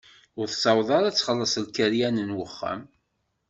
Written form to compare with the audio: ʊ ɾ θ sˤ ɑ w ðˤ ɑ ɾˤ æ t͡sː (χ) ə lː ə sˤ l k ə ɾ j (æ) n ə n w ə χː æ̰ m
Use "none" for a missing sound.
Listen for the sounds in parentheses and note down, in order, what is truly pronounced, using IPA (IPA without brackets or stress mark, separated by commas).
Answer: χ, æ